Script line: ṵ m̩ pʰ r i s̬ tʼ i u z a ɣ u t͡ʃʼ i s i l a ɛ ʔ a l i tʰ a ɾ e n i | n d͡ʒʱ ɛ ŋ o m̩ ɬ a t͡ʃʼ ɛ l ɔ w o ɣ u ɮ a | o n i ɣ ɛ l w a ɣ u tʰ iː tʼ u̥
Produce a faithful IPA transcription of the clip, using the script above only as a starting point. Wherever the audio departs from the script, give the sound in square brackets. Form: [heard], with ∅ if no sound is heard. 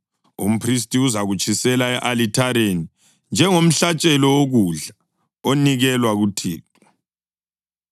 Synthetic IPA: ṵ m̩ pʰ r i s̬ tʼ i u z a ɣ u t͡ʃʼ i s [ɛ] l a ɛ ʔ a l i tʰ a ɾ e n i | n d͡ʒʱ ɛ ŋ o m̩ ɬ a t͡ʃʼ ɛ l ɔ w o ɣ u ɮ a | o n i ɣ ɛ l w a ɣ u tʰ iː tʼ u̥